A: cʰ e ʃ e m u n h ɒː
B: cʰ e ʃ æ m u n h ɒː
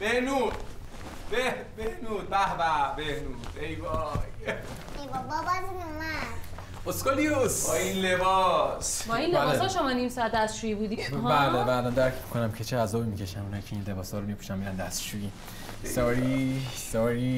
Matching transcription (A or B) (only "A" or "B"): B